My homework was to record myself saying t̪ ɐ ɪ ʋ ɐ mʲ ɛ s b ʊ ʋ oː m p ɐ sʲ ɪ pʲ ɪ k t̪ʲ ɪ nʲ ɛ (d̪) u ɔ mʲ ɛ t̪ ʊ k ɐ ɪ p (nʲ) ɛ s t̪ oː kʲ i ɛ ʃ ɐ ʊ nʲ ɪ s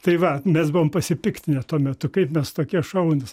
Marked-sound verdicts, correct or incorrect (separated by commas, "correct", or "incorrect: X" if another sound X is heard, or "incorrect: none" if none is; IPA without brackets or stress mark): incorrect: t̪, incorrect: mʲ